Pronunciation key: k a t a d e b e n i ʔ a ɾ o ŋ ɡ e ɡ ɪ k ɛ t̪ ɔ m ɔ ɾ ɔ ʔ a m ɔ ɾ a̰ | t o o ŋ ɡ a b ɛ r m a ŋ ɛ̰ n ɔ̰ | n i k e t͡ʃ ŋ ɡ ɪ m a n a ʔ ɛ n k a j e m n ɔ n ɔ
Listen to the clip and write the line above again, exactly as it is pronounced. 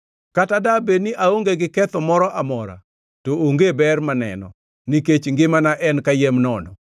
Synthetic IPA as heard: k a t a d a b e n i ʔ a o ŋ ɡ e ɡ ɪ k ɛ t̪ ɔ m ɔ ɾ ɔ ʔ a m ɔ ɾ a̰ | t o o ŋ ɡ e b ɛ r m a n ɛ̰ n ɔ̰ | n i k e t͡ʃ ŋ ɡ ɪ m a n a ʔ ɛ n k a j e m n ɔ n ɔ